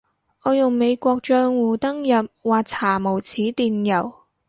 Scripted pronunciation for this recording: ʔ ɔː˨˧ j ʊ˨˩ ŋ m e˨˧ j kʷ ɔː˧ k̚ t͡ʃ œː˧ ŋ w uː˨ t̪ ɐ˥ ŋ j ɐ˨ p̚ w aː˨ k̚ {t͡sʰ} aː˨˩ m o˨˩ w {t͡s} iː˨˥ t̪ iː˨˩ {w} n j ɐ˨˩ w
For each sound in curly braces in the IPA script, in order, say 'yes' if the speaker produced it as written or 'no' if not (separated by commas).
yes, no, no